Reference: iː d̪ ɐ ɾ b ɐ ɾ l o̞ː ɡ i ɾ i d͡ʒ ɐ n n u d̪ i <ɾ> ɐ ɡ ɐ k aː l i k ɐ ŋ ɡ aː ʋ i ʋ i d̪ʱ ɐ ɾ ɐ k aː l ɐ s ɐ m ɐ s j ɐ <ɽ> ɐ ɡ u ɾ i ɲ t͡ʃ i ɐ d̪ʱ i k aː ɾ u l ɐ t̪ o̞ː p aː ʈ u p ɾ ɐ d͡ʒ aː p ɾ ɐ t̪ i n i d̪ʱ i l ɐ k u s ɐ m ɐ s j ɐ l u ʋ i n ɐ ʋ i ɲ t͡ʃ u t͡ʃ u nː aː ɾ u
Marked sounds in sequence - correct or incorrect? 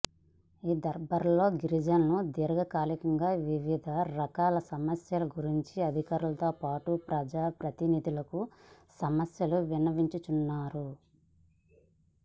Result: correct, incorrect: l

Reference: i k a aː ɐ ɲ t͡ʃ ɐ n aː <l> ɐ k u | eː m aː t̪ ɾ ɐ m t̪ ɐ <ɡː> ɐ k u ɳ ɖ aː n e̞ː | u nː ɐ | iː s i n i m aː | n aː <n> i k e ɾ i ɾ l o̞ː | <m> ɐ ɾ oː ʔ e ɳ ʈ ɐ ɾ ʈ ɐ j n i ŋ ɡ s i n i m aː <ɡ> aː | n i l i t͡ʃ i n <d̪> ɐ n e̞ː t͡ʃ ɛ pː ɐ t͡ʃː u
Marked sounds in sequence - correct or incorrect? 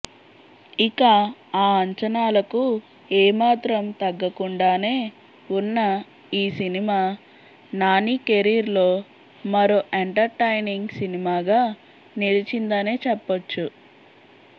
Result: correct, correct, correct, correct, correct, correct

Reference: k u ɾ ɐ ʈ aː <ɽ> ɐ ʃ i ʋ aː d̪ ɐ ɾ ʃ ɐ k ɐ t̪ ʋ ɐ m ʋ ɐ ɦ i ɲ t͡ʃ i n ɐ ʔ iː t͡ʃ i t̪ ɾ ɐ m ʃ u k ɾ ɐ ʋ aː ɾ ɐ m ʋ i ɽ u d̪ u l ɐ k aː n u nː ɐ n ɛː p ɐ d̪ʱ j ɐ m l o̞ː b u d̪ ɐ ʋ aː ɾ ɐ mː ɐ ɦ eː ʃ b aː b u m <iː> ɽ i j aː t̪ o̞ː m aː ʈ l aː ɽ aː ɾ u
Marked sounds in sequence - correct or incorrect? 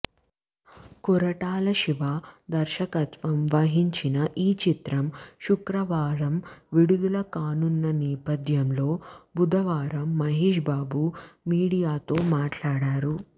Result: incorrect: l, correct

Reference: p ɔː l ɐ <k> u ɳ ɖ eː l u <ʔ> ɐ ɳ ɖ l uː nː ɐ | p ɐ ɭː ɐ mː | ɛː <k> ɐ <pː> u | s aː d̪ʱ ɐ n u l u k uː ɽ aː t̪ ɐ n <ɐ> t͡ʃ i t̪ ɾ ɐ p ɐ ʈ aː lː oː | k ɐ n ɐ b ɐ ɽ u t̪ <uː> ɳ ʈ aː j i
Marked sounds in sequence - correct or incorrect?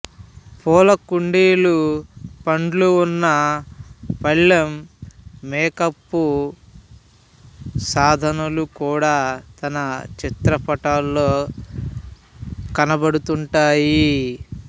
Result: correct, incorrect: p, correct, correct, correct, incorrect: u

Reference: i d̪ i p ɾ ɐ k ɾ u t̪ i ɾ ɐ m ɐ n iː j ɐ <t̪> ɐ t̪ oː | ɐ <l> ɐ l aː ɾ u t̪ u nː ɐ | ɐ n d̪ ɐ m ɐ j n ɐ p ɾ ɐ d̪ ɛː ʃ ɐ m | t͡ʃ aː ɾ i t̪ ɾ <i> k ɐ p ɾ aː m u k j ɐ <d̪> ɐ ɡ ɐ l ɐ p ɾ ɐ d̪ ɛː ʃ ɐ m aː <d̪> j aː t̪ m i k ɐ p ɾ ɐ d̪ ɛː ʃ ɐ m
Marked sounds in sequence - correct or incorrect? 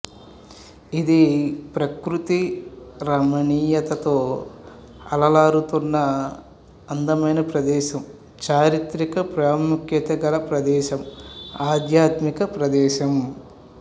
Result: correct, correct, correct, incorrect: t̪, correct

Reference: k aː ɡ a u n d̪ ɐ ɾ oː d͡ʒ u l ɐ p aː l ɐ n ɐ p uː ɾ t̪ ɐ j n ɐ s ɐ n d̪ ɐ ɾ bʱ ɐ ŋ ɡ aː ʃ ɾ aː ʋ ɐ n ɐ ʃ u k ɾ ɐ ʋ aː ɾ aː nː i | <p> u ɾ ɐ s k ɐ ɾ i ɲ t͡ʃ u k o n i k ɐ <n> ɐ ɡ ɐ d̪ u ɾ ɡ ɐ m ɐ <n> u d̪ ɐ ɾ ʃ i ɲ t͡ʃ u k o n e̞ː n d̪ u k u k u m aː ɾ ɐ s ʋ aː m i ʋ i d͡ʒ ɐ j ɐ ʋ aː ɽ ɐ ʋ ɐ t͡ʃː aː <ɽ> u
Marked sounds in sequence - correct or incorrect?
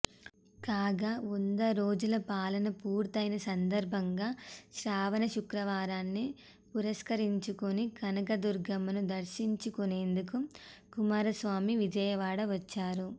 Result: correct, correct, correct, incorrect: ɾ

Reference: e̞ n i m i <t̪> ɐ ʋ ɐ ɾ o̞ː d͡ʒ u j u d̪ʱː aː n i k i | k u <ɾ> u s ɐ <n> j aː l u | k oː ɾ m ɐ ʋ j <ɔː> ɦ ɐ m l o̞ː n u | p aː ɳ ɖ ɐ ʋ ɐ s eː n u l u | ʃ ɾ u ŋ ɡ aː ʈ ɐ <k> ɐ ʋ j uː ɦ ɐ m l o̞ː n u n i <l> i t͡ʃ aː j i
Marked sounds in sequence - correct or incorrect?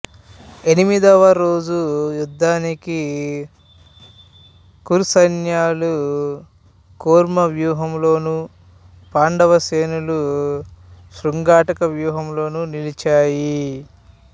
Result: incorrect: d̪, correct, correct, incorrect: uː, correct, correct

